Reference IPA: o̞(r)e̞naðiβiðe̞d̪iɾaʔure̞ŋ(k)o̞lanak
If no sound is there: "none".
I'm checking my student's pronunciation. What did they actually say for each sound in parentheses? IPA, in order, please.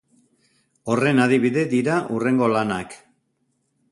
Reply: r, ɡ

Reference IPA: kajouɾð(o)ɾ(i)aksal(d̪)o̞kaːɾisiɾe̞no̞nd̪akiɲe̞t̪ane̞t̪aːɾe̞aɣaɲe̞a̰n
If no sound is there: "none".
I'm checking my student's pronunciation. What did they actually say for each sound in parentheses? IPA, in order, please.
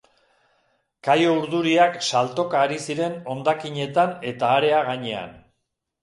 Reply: u, i, t̪

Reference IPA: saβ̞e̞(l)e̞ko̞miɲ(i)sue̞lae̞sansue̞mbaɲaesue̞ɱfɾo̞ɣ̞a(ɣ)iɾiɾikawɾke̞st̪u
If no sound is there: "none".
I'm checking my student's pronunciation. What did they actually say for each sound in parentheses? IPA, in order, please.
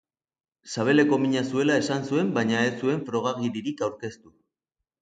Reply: l, a, ɣ

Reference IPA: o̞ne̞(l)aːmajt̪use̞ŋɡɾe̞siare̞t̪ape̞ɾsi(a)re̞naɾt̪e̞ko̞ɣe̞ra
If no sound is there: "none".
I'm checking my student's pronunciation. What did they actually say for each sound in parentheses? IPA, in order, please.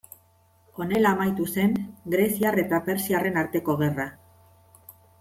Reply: l, a

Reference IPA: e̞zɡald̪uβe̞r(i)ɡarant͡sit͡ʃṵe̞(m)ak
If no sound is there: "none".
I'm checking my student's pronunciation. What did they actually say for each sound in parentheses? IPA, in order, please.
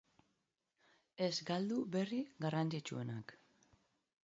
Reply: i, n

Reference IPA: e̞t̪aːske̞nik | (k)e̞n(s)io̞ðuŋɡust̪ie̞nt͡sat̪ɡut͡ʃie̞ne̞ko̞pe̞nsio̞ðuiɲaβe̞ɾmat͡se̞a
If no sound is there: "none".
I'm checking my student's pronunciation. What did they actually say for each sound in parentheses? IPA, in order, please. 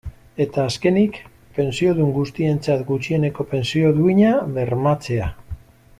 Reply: p, s

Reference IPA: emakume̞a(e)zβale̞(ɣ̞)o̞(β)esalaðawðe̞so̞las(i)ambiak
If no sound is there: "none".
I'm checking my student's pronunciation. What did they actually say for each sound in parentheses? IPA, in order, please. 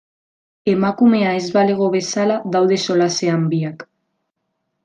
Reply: e, ɣ̞, β, e

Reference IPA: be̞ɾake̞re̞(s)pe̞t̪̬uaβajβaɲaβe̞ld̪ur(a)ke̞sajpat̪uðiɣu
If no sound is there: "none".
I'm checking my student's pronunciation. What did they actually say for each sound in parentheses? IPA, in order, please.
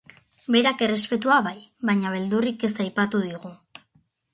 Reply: s, i

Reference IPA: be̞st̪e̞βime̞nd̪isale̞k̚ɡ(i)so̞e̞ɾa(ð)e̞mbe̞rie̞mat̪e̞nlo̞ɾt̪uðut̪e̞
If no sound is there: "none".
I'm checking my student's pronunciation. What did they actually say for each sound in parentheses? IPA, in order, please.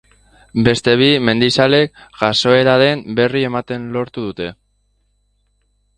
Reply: a, ð

